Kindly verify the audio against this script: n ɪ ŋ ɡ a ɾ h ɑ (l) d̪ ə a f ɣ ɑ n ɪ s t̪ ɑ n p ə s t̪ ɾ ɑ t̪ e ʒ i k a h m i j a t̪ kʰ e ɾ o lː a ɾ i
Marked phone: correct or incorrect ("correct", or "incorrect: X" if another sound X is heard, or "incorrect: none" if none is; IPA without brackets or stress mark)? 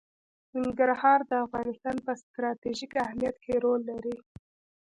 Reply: incorrect: ɾ